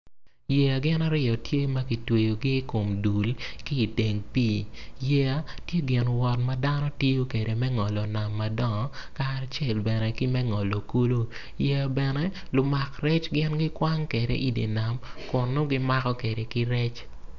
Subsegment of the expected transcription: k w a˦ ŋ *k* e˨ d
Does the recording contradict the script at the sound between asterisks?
no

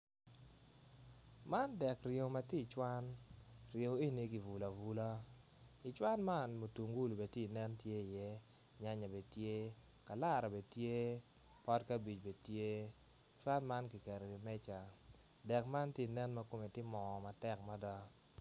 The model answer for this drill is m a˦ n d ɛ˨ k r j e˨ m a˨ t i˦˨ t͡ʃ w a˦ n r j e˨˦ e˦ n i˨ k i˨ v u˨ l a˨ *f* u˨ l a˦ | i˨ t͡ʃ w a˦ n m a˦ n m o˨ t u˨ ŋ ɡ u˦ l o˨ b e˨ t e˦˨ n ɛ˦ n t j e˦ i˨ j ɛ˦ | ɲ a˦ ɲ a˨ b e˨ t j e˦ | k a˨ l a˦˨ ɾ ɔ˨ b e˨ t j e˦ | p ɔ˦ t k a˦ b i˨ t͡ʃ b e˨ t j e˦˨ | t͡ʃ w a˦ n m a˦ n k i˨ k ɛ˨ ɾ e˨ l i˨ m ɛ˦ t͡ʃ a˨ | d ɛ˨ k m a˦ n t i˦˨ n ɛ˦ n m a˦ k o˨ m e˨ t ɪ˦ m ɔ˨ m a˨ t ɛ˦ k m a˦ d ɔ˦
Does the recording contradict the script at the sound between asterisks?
yes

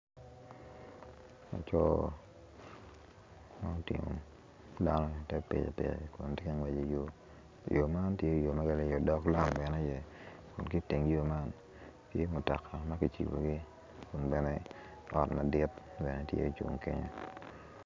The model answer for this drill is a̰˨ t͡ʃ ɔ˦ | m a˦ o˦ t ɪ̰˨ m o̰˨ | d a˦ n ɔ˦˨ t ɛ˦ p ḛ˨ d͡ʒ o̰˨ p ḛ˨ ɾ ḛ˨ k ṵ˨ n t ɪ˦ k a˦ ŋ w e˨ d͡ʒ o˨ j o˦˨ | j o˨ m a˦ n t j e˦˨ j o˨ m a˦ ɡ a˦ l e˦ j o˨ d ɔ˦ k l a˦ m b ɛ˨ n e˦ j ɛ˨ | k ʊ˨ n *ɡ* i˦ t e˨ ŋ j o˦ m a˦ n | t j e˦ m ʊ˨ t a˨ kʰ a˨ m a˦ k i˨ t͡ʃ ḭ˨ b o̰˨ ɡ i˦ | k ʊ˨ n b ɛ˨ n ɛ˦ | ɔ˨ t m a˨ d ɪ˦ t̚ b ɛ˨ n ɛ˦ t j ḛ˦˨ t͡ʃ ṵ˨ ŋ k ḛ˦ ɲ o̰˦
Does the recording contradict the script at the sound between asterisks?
yes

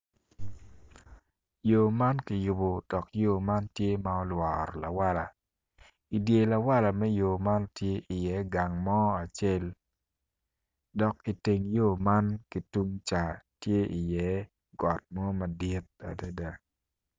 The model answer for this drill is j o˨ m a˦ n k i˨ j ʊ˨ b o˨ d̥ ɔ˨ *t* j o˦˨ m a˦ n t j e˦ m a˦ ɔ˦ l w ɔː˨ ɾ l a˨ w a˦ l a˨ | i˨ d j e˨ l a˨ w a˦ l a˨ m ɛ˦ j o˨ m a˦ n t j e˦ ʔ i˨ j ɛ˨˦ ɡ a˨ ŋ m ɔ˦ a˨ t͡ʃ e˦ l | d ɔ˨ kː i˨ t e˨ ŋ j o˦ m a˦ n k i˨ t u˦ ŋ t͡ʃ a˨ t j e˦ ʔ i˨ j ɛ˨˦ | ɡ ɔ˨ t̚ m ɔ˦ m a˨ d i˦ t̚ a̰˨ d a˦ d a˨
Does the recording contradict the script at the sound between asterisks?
yes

